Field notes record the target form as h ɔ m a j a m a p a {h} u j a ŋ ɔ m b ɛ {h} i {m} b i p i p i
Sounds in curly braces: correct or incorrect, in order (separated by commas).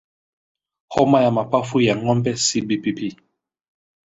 incorrect, incorrect, incorrect